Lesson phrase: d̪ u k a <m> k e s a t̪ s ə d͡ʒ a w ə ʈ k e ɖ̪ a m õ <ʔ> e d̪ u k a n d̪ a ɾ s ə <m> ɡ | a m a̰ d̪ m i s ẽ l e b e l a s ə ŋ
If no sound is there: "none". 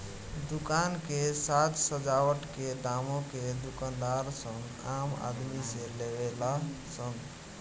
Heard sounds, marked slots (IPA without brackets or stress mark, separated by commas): n, k, ŋ